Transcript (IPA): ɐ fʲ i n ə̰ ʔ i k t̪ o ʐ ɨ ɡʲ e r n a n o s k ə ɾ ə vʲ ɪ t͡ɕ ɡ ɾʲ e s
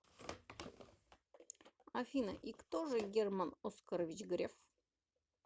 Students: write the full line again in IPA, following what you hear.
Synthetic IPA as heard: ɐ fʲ i n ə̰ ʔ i k t̪ o ʐ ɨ ɡʲ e r m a n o s k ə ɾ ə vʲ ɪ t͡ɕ ɡ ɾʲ e f

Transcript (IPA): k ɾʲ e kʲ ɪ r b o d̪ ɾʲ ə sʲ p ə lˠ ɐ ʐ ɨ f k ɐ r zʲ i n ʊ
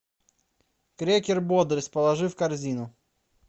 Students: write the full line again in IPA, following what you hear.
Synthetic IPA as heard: k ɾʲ e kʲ ɪ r b o d̪ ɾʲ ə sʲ p ə lˠ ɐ ʐ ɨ f k ɐ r zʲ i n ʊ

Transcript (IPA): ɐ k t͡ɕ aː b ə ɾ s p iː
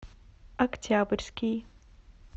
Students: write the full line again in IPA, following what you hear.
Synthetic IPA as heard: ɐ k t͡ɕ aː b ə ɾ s k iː

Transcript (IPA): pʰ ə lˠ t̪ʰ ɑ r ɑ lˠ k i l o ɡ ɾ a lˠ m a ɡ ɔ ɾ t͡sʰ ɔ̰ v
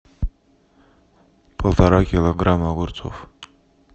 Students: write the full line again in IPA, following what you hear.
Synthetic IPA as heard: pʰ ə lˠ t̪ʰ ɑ ɾ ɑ k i l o ɡ ɾ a m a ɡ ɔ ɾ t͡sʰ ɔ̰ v

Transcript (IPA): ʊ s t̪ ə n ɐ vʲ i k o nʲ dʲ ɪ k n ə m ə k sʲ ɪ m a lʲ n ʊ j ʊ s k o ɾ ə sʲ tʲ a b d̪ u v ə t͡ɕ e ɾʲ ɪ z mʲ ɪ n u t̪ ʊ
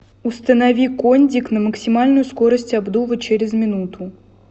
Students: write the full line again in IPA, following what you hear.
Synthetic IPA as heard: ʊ s t̪ ə n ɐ vʲ i k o nʲ dʲ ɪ k n ə m ə k sʲ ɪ m a lʲ n ʊ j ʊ s k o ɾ ə sʲ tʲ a b d̪ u v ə t͡ɕ e ɾʲ ɪ z mʲ ɪ n u t̪ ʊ

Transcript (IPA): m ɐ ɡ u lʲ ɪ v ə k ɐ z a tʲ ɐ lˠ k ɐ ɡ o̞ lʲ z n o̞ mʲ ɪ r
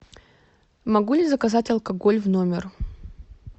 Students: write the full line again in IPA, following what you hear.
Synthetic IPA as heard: m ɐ ɡ u lʲ ɪ z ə k ɐ z a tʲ ɐ lˠ k ɐ ɡ o̞ lʲ v n o̞ mʲ ɪ r

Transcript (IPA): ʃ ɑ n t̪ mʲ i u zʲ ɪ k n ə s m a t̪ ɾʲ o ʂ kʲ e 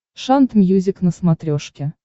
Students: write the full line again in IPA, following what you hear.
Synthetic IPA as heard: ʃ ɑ n t̪ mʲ j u zʲ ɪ k n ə s m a t̪ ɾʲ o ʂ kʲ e

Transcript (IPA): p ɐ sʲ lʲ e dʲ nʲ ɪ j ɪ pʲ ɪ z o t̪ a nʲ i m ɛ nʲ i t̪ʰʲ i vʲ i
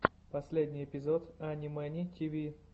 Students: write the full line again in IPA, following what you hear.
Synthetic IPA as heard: p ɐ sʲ lʲ e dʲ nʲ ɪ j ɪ pʲ ɪ z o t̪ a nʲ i m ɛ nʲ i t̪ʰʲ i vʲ i

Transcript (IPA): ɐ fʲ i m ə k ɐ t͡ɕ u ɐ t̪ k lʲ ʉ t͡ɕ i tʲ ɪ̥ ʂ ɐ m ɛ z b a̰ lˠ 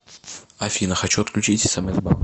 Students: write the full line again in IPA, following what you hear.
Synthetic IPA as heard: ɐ fʲ i n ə x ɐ t͡ɕ u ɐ t̪ k lʲ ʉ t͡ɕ i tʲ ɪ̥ s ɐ m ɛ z b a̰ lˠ

